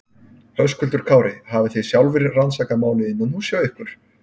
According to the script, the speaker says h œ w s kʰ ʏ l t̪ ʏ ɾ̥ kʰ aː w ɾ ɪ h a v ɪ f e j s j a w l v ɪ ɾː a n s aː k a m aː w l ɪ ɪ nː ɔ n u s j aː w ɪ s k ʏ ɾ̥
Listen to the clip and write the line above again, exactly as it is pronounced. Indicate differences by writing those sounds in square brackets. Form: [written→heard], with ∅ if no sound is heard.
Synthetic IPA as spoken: h œ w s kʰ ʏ l t̪ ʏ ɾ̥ kʰ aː w ɾ ɪ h a v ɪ [f→θ] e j s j a w l v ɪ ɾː a n s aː k a m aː w l ɪ ɪ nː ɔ n u s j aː w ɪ [s→h] k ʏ ɾ̥